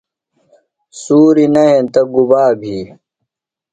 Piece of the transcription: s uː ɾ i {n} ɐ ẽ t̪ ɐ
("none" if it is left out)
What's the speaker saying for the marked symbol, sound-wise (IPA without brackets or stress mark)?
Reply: n